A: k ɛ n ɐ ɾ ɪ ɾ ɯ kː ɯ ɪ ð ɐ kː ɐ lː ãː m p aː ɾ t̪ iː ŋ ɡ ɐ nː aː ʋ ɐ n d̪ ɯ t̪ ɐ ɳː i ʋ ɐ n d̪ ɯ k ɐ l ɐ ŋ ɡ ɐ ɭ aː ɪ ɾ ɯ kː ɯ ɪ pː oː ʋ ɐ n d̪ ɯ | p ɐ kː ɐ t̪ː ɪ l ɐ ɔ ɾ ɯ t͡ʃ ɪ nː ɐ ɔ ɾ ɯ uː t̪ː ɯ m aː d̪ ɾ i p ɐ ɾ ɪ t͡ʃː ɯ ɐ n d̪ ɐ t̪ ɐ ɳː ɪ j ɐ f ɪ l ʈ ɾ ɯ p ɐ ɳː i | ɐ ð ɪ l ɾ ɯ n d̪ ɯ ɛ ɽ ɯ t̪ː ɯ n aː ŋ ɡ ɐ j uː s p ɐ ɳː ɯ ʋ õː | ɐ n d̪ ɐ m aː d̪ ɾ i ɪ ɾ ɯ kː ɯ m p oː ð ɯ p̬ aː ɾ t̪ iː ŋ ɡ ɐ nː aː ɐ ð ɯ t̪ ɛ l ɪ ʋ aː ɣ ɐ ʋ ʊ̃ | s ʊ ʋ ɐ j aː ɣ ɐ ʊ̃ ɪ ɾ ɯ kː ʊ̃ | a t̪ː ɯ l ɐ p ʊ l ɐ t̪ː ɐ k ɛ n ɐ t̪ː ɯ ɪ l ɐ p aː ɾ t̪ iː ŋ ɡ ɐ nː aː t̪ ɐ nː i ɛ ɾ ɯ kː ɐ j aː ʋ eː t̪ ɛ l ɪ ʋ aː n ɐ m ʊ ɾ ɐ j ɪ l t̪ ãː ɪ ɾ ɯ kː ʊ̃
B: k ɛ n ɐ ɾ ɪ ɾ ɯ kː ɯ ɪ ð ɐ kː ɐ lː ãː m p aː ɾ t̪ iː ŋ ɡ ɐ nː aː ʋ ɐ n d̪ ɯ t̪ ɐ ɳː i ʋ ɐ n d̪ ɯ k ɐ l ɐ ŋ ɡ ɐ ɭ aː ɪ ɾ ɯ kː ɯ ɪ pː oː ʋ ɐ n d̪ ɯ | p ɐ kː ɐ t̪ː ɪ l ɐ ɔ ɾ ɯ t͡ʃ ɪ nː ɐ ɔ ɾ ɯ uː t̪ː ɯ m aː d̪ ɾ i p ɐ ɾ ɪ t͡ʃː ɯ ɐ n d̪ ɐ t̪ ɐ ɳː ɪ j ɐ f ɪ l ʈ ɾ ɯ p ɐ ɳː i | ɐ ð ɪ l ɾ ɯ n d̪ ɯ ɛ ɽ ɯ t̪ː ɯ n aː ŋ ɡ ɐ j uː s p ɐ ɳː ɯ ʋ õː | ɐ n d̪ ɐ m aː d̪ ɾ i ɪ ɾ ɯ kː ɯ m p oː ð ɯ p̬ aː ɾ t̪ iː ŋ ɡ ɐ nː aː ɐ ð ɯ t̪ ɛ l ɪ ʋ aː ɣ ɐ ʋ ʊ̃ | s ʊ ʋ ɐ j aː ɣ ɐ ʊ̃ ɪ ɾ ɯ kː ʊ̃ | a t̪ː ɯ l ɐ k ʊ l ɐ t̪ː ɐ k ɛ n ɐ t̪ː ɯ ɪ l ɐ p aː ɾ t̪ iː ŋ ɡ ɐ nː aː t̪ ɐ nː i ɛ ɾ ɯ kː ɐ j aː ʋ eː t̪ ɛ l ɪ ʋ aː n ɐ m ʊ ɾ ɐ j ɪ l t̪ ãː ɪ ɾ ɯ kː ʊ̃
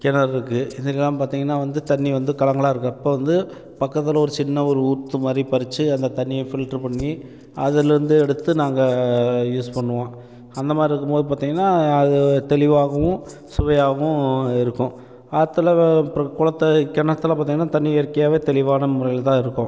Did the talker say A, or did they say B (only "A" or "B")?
B